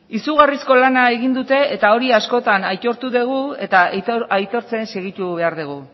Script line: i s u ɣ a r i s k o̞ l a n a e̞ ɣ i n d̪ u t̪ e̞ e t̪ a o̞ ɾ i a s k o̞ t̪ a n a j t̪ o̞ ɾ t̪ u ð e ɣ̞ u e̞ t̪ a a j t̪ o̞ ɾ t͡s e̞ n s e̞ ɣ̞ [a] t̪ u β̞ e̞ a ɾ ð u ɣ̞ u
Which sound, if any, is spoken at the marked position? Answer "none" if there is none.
i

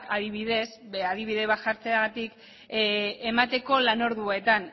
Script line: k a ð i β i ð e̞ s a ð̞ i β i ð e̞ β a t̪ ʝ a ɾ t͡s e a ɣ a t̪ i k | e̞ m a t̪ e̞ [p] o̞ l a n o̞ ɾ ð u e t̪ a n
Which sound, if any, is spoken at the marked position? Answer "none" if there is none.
k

